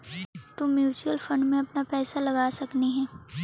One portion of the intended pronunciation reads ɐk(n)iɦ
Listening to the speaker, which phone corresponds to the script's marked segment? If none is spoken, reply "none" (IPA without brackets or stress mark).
n